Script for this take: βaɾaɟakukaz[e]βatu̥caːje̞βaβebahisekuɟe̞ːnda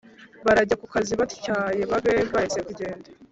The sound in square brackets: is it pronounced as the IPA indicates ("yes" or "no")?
no